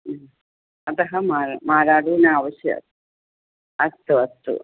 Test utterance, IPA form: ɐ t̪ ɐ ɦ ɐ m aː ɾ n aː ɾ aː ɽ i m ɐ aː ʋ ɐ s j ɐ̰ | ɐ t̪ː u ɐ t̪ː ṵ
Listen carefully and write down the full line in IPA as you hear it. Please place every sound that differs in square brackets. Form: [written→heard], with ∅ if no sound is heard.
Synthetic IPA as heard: ɐ t̪ ɐ ɦ ɐ m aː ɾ [n→m] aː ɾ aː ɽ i [m→n] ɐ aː ʋ ɐ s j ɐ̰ | ɐ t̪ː u ɐ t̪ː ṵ